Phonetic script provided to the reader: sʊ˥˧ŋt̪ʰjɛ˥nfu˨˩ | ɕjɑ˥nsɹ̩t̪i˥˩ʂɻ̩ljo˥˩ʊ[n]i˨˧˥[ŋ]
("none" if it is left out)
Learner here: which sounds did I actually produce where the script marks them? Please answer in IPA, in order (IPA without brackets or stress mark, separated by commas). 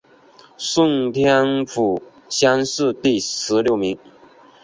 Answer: m, ŋ